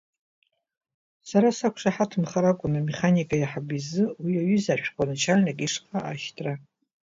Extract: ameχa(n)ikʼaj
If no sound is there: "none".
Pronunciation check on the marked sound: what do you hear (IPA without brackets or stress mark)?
n